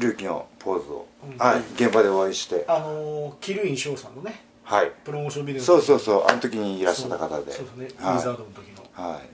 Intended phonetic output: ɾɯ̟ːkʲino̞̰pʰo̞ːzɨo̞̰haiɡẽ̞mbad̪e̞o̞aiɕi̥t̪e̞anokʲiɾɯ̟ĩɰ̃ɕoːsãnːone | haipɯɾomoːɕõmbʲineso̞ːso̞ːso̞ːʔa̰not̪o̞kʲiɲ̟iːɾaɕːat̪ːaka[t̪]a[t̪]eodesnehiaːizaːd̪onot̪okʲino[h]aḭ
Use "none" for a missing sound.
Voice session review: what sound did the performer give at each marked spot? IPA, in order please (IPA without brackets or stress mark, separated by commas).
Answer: t̪, d̪, h